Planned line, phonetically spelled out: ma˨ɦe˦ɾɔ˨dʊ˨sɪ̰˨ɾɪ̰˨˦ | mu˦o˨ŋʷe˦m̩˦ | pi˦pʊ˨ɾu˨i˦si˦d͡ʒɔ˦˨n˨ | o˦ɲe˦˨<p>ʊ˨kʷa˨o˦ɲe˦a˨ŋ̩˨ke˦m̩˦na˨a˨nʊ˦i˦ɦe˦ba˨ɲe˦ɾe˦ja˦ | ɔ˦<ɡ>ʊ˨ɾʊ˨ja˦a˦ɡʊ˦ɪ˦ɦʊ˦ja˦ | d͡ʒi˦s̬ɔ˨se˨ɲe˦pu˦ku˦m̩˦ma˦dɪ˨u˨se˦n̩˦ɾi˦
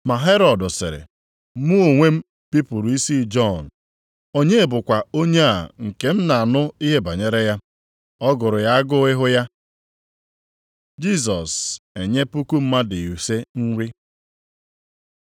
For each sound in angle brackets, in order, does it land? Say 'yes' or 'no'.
no, yes

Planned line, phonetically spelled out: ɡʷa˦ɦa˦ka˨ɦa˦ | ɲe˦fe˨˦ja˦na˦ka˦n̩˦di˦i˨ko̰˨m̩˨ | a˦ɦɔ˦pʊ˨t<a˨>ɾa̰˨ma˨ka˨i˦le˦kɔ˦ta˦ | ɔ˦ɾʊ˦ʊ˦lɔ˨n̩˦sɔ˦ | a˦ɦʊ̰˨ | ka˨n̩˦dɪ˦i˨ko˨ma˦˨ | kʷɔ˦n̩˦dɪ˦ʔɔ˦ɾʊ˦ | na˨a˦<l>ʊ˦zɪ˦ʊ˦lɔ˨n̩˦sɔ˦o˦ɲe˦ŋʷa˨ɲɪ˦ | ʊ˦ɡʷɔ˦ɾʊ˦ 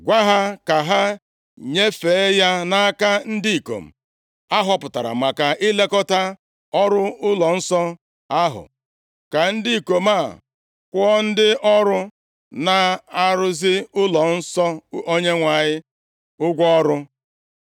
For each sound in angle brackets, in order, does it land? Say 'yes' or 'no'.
yes, no

